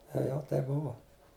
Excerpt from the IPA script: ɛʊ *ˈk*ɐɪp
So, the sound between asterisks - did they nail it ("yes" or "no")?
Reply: no